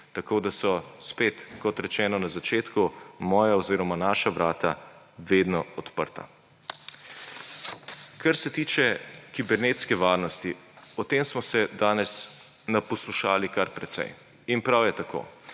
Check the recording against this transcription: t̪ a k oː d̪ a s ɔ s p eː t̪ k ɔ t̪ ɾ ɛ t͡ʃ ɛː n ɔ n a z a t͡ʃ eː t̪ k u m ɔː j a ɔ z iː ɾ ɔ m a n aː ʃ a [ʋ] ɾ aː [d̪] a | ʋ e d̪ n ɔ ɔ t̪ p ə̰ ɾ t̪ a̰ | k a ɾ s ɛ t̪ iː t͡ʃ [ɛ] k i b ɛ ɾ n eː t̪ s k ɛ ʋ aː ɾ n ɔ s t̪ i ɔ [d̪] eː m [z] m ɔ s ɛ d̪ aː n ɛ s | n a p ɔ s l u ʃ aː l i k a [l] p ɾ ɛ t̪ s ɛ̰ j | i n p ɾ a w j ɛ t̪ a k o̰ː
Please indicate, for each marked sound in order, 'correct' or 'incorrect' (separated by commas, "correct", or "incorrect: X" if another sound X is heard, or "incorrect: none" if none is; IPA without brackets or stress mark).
correct, incorrect: t̪, correct, incorrect: t̪, incorrect: s, incorrect: ɾ